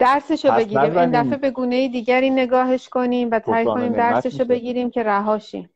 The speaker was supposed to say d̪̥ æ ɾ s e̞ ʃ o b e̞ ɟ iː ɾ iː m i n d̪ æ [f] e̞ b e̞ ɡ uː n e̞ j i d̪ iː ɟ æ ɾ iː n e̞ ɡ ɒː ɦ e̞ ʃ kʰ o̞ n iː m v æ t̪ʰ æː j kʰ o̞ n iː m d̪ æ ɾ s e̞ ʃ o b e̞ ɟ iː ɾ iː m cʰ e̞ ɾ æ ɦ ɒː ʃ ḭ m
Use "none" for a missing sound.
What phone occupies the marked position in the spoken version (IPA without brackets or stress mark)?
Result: f